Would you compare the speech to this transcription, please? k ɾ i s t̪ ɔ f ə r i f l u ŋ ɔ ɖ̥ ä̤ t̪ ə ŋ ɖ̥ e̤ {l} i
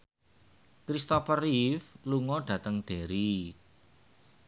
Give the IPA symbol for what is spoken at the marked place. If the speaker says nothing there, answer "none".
ɾ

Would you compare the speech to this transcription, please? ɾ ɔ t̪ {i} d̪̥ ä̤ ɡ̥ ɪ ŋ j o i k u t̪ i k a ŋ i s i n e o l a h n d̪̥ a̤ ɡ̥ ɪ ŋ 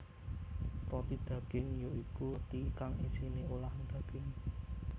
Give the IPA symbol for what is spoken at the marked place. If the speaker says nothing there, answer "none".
i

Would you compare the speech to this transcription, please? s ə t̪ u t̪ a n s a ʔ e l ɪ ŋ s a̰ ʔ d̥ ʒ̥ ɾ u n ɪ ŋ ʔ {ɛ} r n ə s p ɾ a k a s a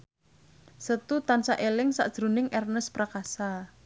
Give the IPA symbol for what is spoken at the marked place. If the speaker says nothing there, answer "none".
ɛ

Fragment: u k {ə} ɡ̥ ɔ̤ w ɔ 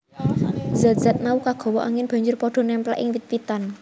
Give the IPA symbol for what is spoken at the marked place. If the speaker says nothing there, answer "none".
a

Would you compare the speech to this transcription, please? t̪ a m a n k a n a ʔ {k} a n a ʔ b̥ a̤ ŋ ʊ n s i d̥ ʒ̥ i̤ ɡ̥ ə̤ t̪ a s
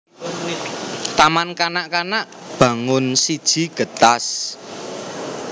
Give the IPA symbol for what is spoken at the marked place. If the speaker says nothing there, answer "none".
k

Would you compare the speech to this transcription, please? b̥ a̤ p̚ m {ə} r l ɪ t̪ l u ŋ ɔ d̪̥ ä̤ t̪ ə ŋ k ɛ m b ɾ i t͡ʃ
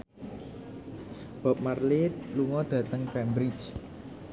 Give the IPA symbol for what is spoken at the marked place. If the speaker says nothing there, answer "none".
a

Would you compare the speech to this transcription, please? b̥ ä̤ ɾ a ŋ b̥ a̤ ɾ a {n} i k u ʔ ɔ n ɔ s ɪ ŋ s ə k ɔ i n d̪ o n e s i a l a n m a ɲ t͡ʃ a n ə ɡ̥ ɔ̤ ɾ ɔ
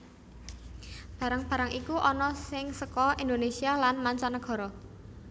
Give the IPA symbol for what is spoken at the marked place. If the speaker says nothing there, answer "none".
ŋ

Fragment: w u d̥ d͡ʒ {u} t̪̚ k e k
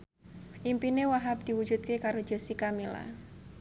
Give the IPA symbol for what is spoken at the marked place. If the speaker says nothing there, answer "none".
u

